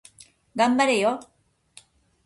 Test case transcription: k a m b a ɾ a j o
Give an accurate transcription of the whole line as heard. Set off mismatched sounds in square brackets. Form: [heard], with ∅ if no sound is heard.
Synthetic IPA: [ɡ] a m b a ɾ [e] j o